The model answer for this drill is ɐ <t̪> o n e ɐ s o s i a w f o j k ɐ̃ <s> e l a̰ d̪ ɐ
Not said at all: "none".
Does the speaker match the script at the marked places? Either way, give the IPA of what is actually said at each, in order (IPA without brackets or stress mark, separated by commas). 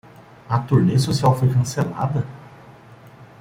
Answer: t̪, s